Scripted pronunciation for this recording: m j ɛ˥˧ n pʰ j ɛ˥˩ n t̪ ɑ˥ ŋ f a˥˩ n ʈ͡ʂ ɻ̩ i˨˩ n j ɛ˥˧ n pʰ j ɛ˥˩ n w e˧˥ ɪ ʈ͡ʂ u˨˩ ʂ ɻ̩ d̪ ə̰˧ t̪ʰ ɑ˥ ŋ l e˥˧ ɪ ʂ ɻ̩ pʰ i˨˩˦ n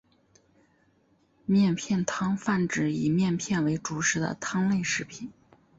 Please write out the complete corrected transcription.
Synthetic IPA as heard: m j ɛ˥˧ n pʰ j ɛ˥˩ n t̪ʰ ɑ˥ ŋ f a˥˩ n ʈ͡ʂ ɻ̩ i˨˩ m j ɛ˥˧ n pʰ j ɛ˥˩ n w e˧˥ ɪ ʈ͡ʂ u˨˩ ʂ ɻ̩ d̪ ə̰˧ t̪ʰ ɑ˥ ŋ l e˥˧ ɪ ʂ ɻ̩ pʰ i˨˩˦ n